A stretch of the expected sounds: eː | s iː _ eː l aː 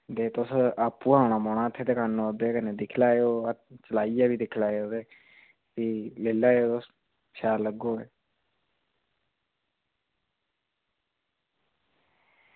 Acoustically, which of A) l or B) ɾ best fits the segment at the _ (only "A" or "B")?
A